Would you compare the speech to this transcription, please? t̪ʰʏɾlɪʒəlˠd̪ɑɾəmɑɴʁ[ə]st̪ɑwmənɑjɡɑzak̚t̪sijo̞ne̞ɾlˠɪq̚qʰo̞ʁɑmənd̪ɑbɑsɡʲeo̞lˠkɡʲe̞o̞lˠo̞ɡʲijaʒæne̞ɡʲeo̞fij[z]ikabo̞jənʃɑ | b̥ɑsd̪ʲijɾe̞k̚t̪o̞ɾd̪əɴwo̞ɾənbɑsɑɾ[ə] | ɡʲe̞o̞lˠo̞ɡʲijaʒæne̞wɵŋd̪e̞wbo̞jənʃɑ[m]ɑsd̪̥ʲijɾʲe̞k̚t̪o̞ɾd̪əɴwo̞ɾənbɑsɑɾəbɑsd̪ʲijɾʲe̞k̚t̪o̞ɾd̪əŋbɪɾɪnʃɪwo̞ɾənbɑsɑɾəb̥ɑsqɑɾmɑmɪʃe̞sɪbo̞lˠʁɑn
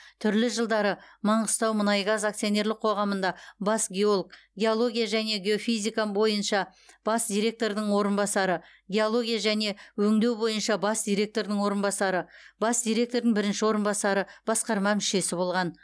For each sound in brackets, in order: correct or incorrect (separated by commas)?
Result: correct, correct, correct, incorrect